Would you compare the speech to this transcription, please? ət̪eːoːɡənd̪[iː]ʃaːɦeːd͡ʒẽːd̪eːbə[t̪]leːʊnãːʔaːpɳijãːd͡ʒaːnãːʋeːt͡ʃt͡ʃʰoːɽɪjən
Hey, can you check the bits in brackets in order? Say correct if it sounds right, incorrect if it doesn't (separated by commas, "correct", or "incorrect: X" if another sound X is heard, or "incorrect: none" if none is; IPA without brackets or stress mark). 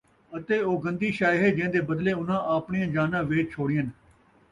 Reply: correct, incorrect: d̪